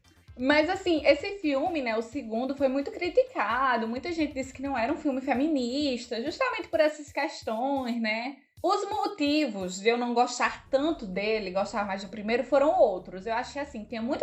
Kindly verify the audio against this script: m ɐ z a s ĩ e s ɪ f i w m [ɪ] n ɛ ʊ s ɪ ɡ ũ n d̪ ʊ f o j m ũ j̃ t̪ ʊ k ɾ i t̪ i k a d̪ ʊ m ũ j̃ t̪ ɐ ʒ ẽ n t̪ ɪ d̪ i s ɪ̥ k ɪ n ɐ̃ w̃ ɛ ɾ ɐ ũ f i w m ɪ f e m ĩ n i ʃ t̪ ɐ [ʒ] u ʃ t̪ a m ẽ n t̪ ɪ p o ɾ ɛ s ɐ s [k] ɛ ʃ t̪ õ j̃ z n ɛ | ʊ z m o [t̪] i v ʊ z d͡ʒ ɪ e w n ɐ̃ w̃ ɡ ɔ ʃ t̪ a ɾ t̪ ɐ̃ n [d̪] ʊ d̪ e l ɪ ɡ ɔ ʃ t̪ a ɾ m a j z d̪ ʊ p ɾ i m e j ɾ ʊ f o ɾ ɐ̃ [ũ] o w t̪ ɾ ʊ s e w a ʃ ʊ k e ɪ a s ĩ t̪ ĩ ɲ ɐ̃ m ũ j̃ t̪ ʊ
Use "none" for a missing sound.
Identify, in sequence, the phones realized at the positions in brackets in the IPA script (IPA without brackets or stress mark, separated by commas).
ɪ, ʒ, k, t̪, t̪, w̃